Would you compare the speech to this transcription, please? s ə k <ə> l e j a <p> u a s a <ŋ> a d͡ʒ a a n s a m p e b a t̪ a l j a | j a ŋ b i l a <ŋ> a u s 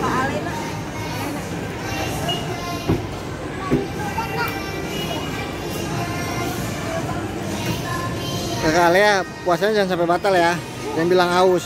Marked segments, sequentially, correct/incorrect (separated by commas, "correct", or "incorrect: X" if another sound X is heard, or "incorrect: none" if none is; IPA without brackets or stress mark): incorrect: a, correct, incorrect: ɲ, correct